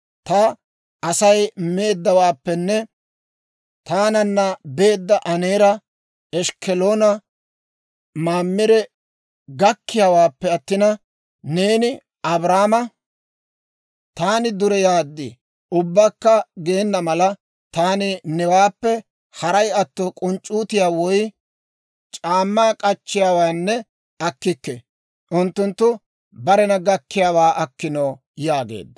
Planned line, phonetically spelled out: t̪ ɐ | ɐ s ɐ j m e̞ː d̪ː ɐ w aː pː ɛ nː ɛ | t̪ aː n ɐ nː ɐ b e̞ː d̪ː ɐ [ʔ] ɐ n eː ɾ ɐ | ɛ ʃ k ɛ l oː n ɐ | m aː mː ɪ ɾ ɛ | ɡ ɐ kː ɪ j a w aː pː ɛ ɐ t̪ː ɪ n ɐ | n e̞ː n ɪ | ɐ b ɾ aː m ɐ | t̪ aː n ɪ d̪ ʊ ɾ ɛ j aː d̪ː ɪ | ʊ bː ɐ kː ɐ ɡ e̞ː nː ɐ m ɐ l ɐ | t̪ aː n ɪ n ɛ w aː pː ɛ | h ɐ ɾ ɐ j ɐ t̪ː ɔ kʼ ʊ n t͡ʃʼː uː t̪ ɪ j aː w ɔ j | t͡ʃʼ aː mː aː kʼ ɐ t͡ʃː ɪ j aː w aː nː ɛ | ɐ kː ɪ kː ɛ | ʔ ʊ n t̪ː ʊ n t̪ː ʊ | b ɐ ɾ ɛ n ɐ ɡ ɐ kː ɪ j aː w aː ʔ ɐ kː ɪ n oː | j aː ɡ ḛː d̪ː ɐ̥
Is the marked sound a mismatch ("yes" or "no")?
no